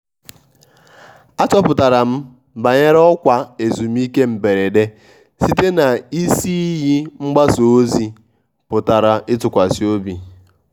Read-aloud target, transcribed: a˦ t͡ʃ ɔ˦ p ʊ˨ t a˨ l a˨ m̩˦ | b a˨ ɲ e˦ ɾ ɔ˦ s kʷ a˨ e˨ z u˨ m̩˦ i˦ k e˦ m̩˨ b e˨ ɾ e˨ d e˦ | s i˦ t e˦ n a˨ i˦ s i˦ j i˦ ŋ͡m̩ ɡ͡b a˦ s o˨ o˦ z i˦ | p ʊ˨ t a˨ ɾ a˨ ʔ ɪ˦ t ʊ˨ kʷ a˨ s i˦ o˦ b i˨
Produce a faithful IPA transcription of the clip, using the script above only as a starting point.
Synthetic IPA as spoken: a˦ t͡ʃ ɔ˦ p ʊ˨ t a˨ ɾ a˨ m̩˦ | b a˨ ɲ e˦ ɾ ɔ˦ kʷ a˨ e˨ z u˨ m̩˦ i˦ k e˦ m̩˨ b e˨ ɾ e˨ d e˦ | s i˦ t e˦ n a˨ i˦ s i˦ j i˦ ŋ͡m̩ ɡ͡b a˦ s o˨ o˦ z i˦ | p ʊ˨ t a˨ ɾ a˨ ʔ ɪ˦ t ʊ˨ kʷ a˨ s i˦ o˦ b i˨